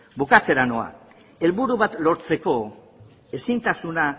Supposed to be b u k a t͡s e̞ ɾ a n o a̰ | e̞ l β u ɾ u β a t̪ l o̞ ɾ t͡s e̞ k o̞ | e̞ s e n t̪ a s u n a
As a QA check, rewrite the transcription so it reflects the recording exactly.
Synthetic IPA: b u k a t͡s e̞ ɾ a n o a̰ | e̞ l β u ɾ u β a t̪ l o̞ ɾ t͡s e̞ k o̞ | e̞ s i n t̪ a s u n a